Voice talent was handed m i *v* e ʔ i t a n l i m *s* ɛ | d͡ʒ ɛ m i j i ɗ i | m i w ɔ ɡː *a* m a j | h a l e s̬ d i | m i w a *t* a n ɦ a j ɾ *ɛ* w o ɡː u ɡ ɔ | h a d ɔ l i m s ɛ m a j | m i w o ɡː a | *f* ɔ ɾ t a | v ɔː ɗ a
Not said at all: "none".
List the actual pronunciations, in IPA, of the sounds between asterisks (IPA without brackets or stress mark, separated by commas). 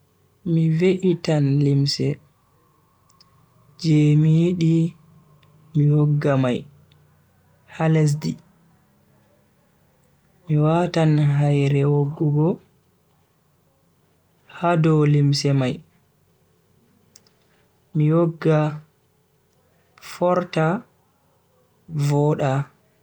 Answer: v, s, a, t, ɛ, f